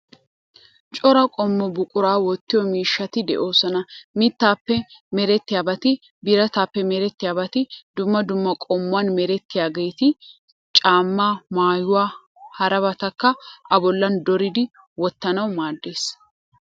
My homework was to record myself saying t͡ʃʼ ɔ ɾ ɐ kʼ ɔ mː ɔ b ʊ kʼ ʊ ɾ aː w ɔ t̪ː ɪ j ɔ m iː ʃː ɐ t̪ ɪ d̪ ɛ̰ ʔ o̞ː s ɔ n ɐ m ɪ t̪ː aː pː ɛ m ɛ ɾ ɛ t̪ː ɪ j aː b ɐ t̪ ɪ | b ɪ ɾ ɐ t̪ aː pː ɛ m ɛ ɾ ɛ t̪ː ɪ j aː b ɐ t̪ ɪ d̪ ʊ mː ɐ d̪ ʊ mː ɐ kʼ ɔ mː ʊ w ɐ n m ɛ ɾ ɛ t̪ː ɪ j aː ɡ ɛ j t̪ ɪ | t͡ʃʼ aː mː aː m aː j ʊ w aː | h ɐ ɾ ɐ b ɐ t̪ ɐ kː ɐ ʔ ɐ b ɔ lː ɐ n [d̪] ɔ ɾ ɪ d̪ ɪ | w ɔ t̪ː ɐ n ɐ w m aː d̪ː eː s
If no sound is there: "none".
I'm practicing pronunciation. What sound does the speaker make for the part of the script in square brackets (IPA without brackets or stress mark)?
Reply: d̪